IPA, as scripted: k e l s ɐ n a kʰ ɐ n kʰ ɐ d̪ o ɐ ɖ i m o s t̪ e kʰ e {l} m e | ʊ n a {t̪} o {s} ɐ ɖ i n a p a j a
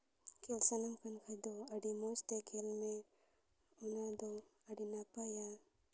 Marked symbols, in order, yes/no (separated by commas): yes, no, no